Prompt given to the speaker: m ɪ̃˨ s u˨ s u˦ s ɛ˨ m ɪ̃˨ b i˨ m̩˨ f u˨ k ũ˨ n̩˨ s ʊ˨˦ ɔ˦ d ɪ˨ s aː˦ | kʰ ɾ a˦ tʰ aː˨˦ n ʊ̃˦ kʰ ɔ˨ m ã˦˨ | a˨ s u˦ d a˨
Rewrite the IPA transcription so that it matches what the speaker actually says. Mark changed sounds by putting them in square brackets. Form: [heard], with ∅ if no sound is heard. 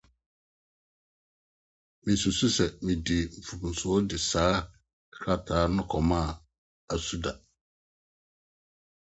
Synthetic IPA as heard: m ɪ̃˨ s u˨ s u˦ s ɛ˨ m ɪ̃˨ [d] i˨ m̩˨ f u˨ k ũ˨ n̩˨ s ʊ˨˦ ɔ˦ d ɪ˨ s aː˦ | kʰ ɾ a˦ tʰ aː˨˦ n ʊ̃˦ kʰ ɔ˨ m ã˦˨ | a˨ s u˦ d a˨